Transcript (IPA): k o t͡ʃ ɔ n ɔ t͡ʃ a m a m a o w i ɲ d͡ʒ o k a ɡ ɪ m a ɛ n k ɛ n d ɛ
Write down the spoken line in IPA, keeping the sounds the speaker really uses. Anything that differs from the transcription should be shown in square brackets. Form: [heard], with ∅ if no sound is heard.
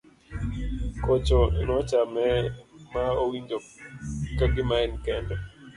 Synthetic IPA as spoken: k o t͡ʃ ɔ n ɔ t͡ʃ a m [ɛ] m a o w i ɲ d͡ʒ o k a ɡ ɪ m a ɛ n k ɛ n d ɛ